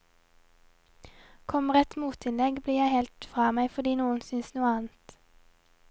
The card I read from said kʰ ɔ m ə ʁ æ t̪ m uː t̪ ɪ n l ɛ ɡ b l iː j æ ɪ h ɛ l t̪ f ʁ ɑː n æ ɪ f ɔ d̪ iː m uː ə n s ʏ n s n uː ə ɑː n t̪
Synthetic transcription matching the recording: kʰ ɔ m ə ʁ ɛ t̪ m uː t̪ ɪ n l ɛ ɡ b l iː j æ ɪ h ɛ l t̪ f ʁ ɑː m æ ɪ f ɔ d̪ iː n uː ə n s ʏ n s n uː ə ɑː n t̪